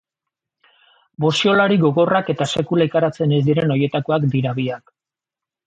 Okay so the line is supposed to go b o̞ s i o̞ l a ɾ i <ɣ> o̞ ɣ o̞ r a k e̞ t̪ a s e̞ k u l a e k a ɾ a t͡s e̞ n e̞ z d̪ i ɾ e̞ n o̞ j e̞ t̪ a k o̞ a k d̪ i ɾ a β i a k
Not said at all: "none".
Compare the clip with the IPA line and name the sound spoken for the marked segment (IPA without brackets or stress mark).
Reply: ɣ